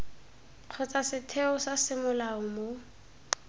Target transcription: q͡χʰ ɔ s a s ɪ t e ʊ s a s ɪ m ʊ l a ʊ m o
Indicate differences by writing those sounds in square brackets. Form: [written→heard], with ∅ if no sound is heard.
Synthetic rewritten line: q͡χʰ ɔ [s→t͡s] a s ɪ [t→tʰ] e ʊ s a s ɪ m ʊ l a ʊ m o